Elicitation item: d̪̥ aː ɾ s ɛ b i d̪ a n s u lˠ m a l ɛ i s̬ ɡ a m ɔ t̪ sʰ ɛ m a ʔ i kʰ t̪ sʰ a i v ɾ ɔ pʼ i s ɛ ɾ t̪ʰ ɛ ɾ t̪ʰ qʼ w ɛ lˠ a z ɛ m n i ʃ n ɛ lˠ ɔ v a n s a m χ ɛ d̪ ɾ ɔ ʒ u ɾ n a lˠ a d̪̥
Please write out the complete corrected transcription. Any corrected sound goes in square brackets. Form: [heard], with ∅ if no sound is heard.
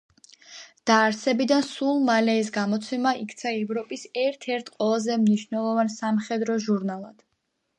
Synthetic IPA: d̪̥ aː ɾ s ɛ b i d̪ a n s u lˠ m a l ɛ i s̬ ɡ a m ɔ t̪ sʰ ɛ m a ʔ i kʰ t̪ sʰ a [ɛ] v ɾ ɔ pʼ i s ɛ ɾ t̪ʰ ɛ ɾ t̪ʰ qʼ w ɛ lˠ a z ɛ m n i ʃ n ɛ lˠ ɔ v a n s a m χ ɛ d̪ ɾ ɔ ʒ u ɾ n a lˠ a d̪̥

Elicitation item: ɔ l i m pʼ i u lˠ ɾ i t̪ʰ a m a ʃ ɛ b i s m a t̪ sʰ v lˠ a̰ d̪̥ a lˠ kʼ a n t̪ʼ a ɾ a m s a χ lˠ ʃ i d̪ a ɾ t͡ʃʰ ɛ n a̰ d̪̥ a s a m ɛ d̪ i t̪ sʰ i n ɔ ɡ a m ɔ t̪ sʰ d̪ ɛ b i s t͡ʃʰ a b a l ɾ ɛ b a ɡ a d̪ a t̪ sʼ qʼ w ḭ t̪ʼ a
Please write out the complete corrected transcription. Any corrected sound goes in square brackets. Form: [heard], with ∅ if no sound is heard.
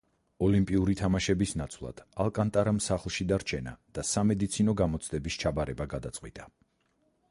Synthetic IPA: ɔ l i m pʼ i u [∅] ɾ i t̪ʰ a m a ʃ ɛ b i s [n] a t̪ sʰ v lˠ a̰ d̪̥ a lˠ kʼ a n t̪ʼ a ɾ a m s a χ lˠ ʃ i d̪ a ɾ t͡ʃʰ ɛ n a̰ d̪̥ a s a m ɛ d̪ i t̪ sʰ i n ɔ ɡ a m ɔ t̪ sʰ d̪ ɛ b i s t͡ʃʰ a b a [∅] ɾ ɛ b a ɡ a d̪ a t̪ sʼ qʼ w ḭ t̪ʼ a

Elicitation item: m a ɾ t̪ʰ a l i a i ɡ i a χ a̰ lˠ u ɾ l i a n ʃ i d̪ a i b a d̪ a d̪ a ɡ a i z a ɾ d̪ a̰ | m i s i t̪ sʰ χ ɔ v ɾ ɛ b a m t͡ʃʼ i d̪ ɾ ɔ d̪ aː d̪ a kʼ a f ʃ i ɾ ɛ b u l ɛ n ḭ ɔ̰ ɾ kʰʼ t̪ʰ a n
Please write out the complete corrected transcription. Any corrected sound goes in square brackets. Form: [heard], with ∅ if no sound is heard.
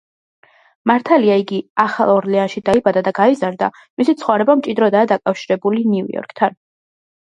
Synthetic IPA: m a ɾ t̪ʰ a l i a i ɡ i a χ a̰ lˠ [ɔ] ɾ l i a n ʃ i d̪ a i b a d̪ a d̪ a ɡ a i z a ɾ d̪ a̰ | m i s i t̪ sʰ χ ɔ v ɾ ɛ b a m t͡ʃʼ i d̪ ɾ ɔ d̪ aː d̪ a kʼ a f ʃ i ɾ ɛ b u l [i] n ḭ ɔ̰ ɾ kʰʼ t̪ʰ a n

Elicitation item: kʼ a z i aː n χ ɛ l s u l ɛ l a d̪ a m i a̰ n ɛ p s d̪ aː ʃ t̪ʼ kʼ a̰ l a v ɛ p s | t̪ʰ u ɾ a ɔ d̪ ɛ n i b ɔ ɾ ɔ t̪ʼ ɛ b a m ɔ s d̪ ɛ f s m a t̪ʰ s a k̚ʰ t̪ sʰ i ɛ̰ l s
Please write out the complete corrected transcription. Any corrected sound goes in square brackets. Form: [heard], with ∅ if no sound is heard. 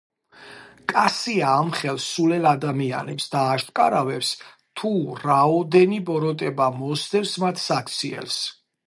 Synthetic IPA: kʼ a [s] i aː [m] χ ɛ l s u l ɛ l a d̪ a m i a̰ n ɛ p s d̪ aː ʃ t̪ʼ kʼ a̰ [ɾ] a v ɛ p s | t̪ʰ u ɾ a ɔ d̪ ɛ n i b ɔ ɾ ɔ t̪ʼ ɛ b a m ɔ s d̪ ɛ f s m a t̪ʰ s a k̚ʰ t̪ sʰ i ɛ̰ l s

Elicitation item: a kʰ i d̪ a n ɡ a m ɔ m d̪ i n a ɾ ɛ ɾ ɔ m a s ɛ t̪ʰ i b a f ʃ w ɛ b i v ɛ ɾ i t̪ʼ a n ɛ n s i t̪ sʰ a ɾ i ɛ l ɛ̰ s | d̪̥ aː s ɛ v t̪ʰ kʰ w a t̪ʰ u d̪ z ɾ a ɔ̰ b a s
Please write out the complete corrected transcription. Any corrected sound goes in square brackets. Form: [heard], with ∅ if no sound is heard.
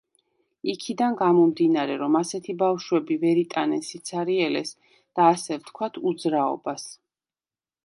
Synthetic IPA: [i] kʰ i d̪ a n ɡ a m ɔ m d̪ i n a ɾ ɛ ɾ ɔ m a s ɛ t̪ʰ i b a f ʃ w ɛ b i v ɛ ɾ i t̪ʼ a n ɛ n s i t̪ sʰ a ɾ i ɛ l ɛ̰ s | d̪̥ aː s ɛ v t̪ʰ kʰ w a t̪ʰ u d̪ z ɾ a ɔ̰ b a s

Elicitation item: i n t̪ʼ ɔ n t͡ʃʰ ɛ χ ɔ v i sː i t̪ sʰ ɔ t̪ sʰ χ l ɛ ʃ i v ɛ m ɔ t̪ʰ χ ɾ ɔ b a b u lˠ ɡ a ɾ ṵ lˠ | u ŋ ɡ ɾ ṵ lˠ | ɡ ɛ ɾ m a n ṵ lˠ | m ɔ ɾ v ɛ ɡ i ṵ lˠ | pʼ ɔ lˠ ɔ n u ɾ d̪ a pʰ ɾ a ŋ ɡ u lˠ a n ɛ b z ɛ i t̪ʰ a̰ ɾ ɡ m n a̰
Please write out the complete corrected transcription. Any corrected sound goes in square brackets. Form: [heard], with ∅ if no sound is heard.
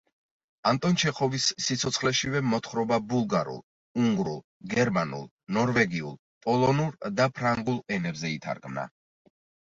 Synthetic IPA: [a] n t̪ʼ ɔ n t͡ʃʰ ɛ χ ɔ v i sː i t̪ sʰ ɔ t̪ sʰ χ l ɛ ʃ i v ɛ m ɔ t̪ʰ χ ɾ ɔ b a b u lˠ ɡ a ɾ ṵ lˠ | u ŋ ɡ ɾ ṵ lˠ | ɡ ɛ ɾ m a n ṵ lˠ | [n] ɔ ɾ v ɛ ɡ i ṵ lˠ | pʼ ɔ lˠ ɔ n u ɾ d̪ a pʰ ɾ a ŋ ɡ u lˠ [ɛ] n ɛ b z ɛ i t̪ʰ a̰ ɾ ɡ m n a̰

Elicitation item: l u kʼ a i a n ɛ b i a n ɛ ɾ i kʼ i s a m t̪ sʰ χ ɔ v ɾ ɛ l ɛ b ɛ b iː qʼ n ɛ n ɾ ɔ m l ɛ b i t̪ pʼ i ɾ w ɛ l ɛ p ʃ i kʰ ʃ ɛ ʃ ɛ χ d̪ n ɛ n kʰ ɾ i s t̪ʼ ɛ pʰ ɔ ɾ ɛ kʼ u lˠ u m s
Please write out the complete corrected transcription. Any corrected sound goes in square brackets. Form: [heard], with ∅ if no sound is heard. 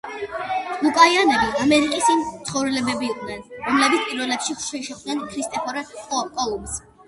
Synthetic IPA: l u kʼ a i a n ɛ b i a [m] ɛ ɾ i kʼ i s [i] m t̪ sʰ χ ɔ v ɾ ɛ l ɛ b ɛ b iː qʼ n ɛ n ɾ ɔ m l ɛ b i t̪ pʼ i ɾ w ɛ l ɛ p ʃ i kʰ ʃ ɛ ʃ ɛ χ d̪ n ɛ n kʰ ɾ i s t̪ʼ ɛ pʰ ɔ ɾ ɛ kʼ [ɔ] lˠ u m s

